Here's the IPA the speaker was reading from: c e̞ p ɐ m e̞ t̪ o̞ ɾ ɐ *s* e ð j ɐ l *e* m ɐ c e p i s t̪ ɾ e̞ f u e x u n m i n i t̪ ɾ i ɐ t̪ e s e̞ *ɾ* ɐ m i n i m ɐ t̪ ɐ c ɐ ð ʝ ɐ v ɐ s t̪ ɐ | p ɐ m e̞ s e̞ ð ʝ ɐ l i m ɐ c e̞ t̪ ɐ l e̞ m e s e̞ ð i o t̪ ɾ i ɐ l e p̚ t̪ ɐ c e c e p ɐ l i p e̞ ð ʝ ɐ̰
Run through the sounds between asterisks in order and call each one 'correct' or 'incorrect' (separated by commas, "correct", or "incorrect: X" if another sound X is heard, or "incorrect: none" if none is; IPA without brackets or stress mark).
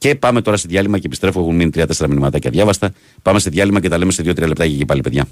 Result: correct, incorrect: i, correct